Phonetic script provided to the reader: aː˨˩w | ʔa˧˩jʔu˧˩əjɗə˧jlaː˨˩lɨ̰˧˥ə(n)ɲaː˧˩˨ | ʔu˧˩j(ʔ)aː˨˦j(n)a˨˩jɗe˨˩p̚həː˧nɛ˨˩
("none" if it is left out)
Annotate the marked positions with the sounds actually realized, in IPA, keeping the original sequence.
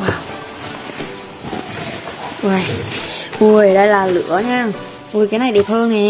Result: none, k, n

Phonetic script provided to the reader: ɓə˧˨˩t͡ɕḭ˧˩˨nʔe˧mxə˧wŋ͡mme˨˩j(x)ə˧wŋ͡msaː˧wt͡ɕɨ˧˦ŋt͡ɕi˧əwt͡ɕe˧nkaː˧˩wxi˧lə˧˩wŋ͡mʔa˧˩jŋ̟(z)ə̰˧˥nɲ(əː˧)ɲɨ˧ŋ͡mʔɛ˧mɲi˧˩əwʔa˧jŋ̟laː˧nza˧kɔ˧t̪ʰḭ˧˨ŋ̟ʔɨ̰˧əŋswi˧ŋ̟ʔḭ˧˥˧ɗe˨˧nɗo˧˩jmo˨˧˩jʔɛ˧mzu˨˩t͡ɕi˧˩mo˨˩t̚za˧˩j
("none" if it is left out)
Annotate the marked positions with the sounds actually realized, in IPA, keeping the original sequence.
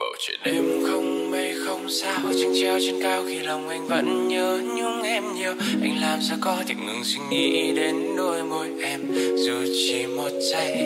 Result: x, v, əː˧

